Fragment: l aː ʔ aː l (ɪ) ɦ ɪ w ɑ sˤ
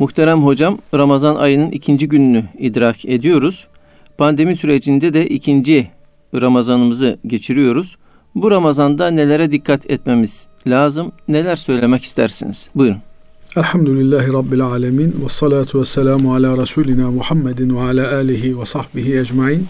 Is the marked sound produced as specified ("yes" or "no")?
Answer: yes